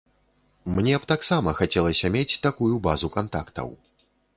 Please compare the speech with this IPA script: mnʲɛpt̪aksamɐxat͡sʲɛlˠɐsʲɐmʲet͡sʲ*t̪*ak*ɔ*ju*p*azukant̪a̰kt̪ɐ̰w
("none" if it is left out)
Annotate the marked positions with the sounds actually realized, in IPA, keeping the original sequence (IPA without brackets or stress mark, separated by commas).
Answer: t̪, u, b